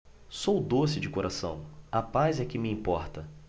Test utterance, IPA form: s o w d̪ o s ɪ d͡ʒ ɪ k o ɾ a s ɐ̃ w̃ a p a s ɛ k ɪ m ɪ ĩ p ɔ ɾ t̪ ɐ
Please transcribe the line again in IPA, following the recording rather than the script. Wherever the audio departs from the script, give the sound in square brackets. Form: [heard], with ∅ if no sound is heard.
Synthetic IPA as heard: s o w d̪ o s ɪ d͡ʒ ɪ k o ɾ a s ɐ̃ w̃ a p a [z] ɛ k ɪ m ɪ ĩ p ɔ ɾ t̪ ɐ